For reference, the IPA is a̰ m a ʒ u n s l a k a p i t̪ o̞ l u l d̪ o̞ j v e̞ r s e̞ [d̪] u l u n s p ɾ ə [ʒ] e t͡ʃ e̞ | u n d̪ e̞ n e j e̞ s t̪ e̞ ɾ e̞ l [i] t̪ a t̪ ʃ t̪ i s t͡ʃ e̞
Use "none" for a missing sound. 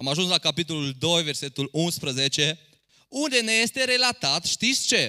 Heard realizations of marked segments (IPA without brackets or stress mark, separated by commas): t̪, z, a